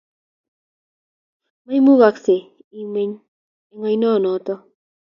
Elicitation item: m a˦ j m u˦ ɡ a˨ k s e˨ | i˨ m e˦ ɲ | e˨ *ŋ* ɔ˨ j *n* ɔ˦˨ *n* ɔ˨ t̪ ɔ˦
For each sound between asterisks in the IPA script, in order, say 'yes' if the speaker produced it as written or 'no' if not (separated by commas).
yes, yes, yes